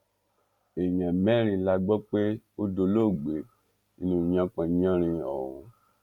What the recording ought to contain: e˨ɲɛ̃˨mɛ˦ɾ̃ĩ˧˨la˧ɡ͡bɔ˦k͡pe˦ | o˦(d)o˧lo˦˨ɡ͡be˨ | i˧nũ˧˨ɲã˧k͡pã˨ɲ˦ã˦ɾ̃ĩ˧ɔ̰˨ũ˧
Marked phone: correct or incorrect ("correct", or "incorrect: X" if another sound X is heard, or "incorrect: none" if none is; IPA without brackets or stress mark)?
correct